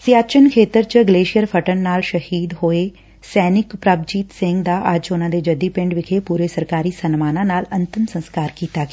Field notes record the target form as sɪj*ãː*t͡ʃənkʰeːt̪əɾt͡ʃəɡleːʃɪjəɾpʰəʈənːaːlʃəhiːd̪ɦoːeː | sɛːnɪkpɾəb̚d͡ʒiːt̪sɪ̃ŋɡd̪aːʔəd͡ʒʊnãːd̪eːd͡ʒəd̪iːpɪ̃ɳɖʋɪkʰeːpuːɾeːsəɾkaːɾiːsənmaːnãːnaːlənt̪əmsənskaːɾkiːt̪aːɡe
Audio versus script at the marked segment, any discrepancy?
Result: yes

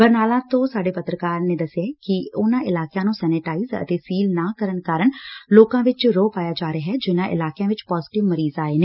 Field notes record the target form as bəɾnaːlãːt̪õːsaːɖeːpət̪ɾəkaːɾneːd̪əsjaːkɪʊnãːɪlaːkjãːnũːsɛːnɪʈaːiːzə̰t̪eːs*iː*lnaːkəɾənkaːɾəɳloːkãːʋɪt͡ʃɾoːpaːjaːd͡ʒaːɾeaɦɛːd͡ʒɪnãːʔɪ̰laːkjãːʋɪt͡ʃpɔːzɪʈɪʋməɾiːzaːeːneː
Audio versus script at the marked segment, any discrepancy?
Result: no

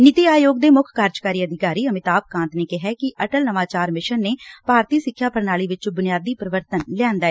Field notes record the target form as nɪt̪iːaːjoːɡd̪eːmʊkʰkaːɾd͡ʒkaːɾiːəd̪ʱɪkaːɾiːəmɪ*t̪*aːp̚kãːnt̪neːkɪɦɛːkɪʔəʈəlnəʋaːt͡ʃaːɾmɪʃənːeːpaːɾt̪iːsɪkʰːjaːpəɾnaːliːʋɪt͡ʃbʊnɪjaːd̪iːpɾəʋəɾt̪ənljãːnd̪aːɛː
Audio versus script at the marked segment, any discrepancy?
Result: no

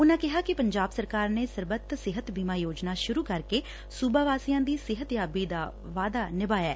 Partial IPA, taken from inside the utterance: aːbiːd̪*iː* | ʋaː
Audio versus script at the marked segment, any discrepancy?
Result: yes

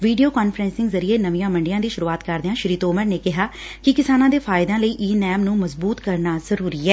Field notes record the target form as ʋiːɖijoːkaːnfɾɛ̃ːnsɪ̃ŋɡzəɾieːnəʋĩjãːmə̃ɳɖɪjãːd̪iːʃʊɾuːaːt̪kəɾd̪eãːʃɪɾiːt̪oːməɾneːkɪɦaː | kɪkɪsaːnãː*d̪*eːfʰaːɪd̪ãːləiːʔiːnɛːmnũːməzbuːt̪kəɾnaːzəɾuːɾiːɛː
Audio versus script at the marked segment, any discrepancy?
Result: no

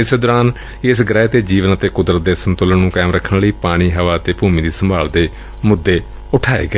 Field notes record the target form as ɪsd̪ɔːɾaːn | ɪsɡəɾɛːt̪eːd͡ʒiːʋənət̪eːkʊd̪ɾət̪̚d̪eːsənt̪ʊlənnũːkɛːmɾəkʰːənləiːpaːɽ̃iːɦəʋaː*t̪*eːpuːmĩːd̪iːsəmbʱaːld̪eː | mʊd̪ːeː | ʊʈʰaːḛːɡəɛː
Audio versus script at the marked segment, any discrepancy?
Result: no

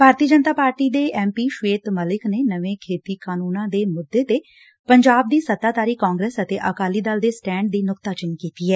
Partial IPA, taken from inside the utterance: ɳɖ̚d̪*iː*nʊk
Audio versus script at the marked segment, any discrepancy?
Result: no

